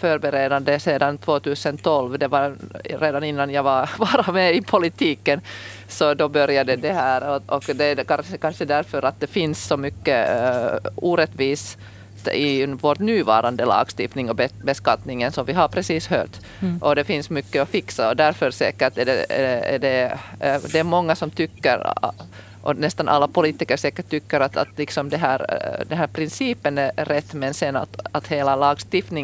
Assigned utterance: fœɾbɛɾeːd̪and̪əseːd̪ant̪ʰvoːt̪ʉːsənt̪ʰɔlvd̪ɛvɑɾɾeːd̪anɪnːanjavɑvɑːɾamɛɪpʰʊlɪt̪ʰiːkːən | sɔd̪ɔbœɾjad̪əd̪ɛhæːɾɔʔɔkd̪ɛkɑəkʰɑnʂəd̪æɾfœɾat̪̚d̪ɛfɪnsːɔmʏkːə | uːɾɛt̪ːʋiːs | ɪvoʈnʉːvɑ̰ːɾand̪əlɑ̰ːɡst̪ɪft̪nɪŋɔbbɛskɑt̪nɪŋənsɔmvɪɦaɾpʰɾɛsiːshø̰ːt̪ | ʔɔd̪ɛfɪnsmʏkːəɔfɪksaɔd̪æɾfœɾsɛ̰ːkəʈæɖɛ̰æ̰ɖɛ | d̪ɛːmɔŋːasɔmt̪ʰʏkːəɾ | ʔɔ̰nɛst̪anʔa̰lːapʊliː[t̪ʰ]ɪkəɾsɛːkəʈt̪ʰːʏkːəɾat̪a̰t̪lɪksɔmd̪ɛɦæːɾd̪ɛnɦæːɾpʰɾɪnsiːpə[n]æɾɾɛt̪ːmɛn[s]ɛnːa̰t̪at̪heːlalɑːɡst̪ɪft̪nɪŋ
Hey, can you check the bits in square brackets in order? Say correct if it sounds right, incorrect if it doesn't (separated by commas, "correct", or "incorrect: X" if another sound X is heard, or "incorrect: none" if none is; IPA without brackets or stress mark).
incorrect: t̪, correct, correct